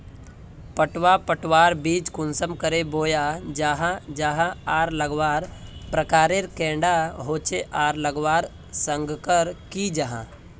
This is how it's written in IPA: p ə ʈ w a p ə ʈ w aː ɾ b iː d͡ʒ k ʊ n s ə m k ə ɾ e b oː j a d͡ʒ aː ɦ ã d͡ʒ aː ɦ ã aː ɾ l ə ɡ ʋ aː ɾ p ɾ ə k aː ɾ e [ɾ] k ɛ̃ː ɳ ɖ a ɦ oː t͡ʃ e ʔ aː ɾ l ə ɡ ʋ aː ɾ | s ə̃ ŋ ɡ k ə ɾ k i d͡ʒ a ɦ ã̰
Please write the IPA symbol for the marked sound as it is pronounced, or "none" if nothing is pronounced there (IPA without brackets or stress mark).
ɾ